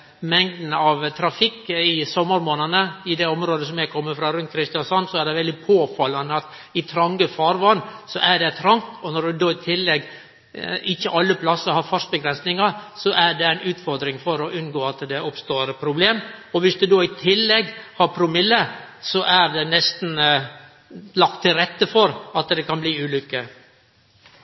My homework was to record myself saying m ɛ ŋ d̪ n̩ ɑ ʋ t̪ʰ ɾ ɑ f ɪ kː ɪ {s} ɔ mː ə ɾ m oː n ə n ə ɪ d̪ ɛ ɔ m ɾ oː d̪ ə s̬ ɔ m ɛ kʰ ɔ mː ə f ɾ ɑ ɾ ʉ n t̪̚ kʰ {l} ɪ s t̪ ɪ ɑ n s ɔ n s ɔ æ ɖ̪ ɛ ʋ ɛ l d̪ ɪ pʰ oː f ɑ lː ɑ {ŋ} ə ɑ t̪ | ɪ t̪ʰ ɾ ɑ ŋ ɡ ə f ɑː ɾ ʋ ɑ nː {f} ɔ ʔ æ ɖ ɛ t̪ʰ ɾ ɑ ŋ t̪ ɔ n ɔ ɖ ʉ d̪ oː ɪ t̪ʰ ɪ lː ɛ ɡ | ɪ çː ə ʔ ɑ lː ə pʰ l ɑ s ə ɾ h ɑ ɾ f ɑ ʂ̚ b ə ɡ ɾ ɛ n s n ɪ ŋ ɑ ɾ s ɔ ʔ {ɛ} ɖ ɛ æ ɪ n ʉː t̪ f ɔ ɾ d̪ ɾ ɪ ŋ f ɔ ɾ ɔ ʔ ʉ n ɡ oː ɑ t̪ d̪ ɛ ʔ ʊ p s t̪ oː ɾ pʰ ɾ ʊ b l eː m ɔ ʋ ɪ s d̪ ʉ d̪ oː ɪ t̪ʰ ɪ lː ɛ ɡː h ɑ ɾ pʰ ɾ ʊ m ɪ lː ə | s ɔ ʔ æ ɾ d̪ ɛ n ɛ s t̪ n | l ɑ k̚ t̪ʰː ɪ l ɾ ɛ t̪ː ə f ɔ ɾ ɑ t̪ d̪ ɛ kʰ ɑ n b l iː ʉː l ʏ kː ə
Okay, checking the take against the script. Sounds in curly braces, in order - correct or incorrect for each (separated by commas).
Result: correct, incorrect, incorrect, incorrect, incorrect